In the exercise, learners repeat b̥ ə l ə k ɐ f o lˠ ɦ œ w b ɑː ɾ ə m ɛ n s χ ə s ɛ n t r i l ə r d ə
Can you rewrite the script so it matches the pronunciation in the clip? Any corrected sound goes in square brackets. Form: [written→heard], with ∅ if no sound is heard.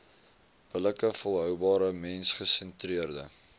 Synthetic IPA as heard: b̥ ə l ə k [ɐ→ə] f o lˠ ɦ œ w b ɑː ɾ ə m ɛ n s χ ə s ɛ n t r i [l→∅] ə r d ə